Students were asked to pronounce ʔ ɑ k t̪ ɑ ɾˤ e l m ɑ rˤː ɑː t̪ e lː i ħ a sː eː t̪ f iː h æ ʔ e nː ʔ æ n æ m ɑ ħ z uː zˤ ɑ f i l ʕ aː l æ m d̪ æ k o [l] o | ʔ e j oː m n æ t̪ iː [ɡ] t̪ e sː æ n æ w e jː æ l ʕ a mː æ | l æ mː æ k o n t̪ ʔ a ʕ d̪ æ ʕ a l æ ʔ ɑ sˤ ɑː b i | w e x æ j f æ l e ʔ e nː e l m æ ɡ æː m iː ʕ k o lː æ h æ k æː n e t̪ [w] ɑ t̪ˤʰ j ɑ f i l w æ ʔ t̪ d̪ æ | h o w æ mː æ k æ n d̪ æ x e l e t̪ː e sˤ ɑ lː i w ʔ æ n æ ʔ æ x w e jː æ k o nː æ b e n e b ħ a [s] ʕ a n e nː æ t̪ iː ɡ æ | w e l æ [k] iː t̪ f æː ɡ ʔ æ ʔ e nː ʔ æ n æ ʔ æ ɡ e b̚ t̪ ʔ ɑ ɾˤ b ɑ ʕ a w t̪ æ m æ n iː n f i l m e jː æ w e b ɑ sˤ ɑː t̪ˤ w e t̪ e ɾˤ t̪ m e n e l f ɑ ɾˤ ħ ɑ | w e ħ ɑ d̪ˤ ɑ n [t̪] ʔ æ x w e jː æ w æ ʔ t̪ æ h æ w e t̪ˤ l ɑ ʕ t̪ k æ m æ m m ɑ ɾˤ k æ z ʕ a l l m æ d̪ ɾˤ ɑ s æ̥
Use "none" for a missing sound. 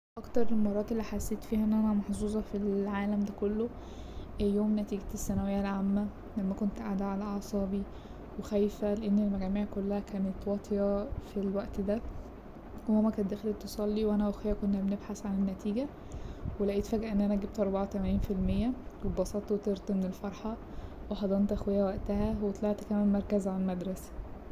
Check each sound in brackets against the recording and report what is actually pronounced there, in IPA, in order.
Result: lː, ɡ, w, s, ʔ, t̪

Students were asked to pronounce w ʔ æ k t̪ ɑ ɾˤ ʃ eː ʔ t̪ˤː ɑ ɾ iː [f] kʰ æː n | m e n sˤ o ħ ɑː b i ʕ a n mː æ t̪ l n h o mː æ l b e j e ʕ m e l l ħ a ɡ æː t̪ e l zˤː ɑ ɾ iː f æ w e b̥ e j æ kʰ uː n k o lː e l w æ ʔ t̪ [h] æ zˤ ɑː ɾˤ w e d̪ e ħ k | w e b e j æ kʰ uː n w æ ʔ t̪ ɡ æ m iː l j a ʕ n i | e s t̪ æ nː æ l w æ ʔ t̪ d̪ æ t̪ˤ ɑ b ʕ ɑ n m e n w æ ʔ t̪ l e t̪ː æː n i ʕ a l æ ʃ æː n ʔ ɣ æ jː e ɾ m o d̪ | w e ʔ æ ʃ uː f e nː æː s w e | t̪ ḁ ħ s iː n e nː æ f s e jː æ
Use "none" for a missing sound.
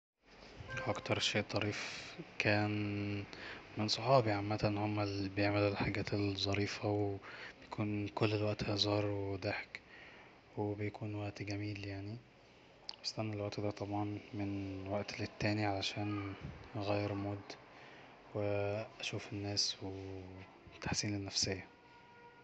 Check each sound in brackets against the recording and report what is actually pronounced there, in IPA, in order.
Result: f, h

